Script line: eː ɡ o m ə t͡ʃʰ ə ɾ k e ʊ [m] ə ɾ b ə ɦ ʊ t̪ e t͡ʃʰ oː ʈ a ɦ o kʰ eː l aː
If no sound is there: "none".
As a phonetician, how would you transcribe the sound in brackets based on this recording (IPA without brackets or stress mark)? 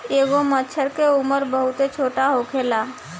m